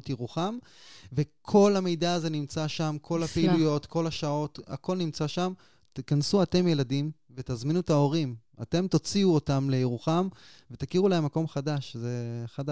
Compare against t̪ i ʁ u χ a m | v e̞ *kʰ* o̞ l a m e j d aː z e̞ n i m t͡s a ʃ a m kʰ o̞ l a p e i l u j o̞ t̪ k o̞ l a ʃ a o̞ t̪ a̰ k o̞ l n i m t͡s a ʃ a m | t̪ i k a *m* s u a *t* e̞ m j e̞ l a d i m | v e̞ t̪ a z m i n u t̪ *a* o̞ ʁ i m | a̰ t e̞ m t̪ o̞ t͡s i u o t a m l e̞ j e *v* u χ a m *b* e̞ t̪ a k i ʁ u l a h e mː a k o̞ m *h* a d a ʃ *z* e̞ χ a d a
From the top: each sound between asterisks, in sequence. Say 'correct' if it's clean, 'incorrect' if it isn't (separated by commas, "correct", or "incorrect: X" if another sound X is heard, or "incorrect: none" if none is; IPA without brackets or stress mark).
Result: correct, incorrect: n, correct, correct, incorrect: ʁ, incorrect: v, incorrect: χ, correct